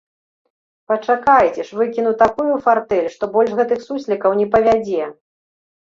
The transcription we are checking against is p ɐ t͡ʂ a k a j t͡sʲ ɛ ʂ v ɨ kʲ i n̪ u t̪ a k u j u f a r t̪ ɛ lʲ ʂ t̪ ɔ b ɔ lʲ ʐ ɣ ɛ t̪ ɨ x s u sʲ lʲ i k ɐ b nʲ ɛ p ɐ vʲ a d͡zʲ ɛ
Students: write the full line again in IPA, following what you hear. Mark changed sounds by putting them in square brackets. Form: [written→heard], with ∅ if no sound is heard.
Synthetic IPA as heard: p ɐ t͡ʂ a k a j t͡sʲ ɛ ʂ v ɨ kʲ i n̪ u t̪ a k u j u f a r t̪ ɛ lʲ ʂ t̪ ɔ b ɔ lʲ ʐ ɣ ɛ t̪ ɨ x s u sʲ lʲ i k ɐ [b→w] nʲ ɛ p ɐ vʲ a d͡zʲ ɛ